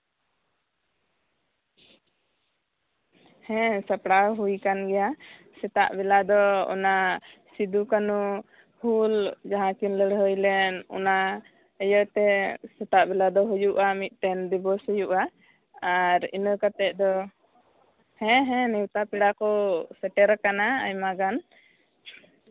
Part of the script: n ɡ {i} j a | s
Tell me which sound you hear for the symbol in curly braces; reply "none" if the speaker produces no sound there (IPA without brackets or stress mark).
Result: ɛ